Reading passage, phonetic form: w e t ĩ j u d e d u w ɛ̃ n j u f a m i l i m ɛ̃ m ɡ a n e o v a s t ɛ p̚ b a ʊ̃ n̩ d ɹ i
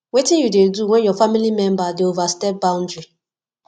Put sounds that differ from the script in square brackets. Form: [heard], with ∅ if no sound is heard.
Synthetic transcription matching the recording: w e t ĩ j u d e d u w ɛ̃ n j [ɔ] f a m i l i m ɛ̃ m [b] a [d] e o v a s t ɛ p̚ b a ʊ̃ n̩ d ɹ i